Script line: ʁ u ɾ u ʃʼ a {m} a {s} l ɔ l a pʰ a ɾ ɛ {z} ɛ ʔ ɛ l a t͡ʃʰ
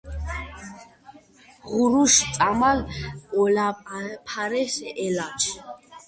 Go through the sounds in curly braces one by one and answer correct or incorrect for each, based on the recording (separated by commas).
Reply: correct, incorrect, incorrect